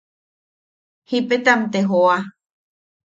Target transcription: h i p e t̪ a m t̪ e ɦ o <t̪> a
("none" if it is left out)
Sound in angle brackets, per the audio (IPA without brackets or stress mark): none